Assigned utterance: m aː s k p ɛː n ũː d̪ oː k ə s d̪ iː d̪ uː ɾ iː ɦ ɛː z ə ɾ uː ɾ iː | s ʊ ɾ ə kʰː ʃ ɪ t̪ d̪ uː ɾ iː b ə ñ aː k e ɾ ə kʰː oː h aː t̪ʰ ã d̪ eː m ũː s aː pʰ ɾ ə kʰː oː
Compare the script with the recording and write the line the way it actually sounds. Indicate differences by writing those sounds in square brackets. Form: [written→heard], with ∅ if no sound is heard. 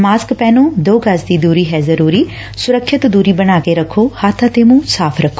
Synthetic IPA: m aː s k p ɛː n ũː d̪ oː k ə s d̪ iː d̪ uː ɾ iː ɦ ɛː z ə ɾ uː ɾ iː | s ʊ ɾ ə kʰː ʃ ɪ t̪ d̪ uː ɾ iː b ə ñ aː k e ɾ ə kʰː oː h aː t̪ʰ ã [d̪→t̪] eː m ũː s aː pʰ ɾ ə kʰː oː